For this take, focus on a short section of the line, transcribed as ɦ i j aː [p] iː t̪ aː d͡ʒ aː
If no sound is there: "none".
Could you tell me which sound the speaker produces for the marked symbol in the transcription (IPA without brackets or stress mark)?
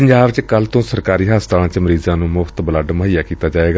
k